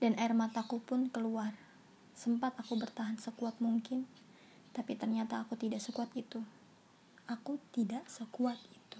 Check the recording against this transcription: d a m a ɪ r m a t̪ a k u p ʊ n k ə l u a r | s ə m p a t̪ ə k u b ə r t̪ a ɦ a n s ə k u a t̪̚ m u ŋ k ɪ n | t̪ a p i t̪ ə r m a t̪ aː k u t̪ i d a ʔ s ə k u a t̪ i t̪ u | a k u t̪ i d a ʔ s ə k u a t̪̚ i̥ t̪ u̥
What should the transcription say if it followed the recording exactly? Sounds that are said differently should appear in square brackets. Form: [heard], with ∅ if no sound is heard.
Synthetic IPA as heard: d a [n] a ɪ r m a t̪ a k u p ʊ n k ə l u a r | s ə m p a t̪ [a] k u b ə r t̪ a ɦ a n s ə k u a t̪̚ m u ŋ k ɪ n | t̪ a p i t̪ ə r [ɲ] a t̪ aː k u t̪ i d a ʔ s ə k u a t̪ i t̪ u | a k u t̪ i d a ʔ s ə k u a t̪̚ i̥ t̪ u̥